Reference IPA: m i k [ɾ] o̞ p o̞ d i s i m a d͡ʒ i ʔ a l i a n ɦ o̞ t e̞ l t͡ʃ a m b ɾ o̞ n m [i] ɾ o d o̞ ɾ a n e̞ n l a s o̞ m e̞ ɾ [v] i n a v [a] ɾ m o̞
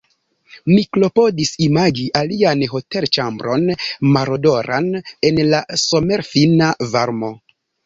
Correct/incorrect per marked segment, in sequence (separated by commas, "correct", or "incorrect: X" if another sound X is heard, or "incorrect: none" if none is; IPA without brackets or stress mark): incorrect: l, incorrect: a, incorrect: f, correct